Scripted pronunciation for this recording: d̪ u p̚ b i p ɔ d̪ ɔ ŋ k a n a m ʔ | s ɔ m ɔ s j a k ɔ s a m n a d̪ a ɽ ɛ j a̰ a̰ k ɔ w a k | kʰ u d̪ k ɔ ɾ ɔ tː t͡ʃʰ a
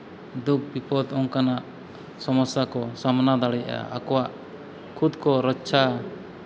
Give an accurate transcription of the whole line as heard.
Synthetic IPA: d̪ u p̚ b i p ɔ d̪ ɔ ŋ k a n a ʔ | s ɔ m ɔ s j a k ɔ s a m n a d̪ a ɽ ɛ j a̰ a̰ k ɔ w a ʔ | kʰ u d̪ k ɔ ɾ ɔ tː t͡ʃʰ a